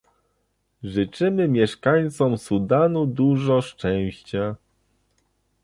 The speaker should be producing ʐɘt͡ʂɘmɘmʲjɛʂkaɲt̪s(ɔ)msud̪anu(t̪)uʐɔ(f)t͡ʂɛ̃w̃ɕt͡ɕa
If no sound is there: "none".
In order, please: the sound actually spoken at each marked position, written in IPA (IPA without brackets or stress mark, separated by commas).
ɔ, d̪, ʂ